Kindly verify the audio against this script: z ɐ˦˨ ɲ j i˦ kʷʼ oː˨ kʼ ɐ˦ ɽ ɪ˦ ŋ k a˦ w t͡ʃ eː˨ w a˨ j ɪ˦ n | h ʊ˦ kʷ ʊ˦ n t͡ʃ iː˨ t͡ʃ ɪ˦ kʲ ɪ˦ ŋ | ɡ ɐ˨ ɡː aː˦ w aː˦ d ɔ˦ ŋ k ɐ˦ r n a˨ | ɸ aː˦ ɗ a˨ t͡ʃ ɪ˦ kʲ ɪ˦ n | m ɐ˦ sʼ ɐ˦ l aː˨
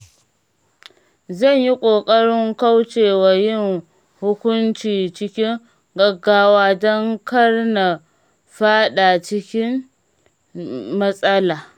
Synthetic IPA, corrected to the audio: z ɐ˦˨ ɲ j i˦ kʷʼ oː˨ kʼ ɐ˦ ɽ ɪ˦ ŋ k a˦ w t͡ʃ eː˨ w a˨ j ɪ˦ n | h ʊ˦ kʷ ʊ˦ n t͡ʃ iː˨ t͡ʃ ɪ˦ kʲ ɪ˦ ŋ | ɡ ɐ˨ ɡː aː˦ w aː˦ d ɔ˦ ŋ k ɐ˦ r n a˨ | ɸ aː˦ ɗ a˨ t͡ʃ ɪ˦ kʲ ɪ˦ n | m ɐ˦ sʼ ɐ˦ l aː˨